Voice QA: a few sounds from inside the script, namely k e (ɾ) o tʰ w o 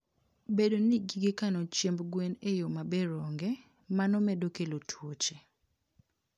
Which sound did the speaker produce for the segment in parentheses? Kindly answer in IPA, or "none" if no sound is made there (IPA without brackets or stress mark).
l